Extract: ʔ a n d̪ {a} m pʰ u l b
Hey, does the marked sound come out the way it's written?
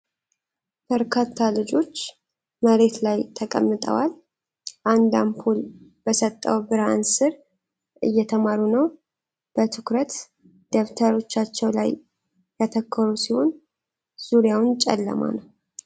yes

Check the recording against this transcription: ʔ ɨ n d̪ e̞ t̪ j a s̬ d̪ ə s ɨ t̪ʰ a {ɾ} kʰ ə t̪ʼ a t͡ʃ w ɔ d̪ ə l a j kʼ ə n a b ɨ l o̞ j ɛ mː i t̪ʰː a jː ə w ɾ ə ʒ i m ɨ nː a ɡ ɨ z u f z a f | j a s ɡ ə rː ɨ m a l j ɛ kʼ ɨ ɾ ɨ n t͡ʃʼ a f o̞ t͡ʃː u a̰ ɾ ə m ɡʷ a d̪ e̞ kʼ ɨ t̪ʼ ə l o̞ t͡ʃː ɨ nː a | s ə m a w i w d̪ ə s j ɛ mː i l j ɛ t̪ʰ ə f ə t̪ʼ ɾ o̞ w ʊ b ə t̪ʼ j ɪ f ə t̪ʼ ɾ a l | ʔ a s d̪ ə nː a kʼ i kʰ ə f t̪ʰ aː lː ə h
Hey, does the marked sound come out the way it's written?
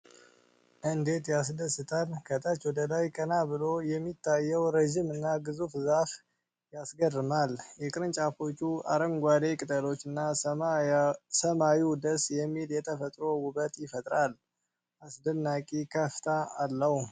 no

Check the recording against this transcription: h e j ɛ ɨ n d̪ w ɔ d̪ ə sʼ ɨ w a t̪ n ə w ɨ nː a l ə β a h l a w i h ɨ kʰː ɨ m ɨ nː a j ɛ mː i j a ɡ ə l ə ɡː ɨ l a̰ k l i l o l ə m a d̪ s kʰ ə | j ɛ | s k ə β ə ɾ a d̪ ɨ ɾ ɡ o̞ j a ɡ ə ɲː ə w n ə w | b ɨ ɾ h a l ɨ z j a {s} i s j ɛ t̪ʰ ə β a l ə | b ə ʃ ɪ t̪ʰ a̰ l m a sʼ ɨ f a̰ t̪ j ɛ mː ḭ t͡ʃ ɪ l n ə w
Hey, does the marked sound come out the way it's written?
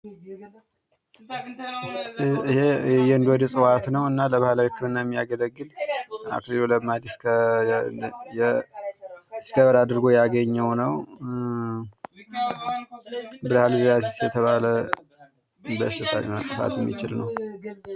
yes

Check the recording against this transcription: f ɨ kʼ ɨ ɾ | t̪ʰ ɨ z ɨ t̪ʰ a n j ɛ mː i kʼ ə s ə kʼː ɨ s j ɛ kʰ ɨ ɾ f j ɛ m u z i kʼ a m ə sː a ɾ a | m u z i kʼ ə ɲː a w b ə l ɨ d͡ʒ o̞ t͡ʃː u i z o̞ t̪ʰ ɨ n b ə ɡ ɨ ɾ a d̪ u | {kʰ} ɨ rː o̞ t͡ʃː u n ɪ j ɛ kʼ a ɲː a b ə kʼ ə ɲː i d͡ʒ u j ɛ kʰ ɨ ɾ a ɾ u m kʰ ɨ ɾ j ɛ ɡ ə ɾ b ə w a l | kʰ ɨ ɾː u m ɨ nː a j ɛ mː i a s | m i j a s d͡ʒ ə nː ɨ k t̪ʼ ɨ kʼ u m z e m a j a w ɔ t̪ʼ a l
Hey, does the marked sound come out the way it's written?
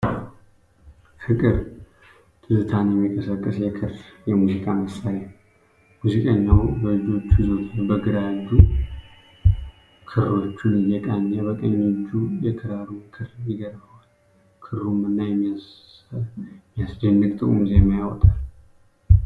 yes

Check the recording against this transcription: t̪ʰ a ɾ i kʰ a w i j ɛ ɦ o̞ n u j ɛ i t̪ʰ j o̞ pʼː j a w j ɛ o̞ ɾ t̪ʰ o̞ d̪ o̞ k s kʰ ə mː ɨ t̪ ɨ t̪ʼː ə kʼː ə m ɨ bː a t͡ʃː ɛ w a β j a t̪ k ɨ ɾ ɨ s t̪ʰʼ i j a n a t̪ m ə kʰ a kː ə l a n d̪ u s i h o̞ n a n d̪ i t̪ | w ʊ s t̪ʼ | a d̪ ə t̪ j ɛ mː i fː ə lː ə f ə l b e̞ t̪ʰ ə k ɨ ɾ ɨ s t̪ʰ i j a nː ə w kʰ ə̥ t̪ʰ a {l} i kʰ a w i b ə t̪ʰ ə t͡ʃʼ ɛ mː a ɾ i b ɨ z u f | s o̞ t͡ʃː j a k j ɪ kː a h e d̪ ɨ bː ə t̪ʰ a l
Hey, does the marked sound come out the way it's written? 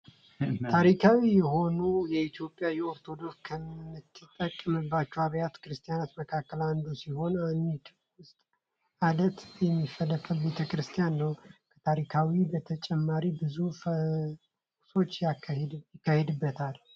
no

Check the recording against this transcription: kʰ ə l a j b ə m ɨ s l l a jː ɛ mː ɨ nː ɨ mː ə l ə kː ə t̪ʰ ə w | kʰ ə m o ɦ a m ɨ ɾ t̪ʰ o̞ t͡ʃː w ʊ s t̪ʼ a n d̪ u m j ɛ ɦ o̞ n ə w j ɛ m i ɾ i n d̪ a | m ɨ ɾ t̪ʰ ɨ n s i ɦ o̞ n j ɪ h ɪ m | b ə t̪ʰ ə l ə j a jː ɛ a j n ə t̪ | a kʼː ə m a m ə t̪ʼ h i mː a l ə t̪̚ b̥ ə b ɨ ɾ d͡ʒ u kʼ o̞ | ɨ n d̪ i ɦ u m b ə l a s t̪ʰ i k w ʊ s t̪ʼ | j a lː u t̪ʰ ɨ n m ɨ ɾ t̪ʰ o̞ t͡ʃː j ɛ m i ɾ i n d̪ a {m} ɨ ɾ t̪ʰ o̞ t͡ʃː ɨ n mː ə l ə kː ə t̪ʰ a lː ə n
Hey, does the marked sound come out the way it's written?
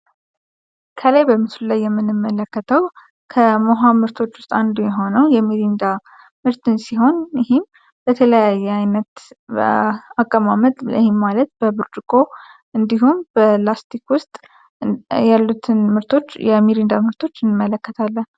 yes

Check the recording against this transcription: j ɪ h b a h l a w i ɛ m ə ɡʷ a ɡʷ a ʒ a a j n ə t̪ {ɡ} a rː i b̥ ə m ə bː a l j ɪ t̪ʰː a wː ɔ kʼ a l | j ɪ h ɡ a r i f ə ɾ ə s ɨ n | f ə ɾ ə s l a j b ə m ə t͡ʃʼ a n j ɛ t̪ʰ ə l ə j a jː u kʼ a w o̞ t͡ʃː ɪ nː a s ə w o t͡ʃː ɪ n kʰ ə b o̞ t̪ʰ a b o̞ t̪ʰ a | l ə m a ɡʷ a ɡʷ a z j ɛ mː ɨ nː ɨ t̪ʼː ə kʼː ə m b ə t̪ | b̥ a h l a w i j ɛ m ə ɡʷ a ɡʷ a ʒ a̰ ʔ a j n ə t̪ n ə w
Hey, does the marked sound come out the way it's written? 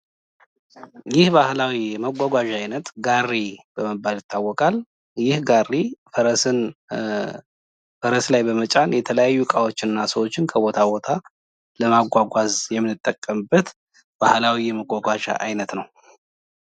yes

